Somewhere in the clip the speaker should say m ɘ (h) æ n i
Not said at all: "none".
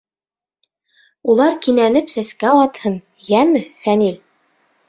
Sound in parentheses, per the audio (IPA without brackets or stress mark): f